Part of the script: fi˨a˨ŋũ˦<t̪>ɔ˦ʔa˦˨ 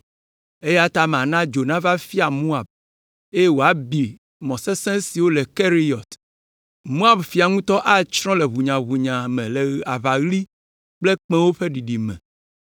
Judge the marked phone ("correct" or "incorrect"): correct